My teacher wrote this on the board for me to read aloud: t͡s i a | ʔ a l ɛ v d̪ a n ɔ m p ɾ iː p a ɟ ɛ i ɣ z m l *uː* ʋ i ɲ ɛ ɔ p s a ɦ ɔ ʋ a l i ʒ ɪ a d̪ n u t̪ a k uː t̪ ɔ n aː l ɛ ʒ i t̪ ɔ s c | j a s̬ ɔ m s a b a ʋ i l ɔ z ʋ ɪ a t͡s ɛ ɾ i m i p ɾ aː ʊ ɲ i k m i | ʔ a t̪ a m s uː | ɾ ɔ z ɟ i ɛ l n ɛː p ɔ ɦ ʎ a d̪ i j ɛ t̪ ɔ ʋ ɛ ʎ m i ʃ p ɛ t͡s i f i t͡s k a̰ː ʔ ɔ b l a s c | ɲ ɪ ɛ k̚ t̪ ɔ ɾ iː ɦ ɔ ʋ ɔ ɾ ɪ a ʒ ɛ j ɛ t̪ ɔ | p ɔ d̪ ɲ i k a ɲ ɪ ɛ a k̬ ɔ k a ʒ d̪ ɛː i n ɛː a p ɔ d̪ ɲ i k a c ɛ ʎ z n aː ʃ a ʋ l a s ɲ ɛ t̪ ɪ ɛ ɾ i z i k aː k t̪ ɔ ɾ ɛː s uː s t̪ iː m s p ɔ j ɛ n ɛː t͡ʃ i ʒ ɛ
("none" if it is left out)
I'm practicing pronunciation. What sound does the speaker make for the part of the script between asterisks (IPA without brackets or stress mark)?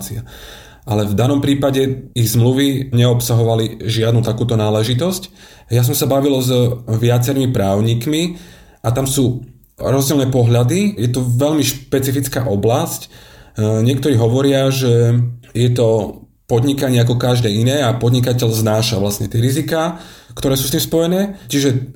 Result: u